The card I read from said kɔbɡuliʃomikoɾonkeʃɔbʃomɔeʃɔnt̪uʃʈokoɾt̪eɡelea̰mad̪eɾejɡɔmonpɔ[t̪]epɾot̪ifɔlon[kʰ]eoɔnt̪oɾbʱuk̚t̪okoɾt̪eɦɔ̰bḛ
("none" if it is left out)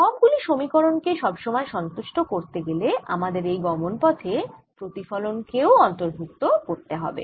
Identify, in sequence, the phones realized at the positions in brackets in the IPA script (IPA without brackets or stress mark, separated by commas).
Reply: t̪ʰ, k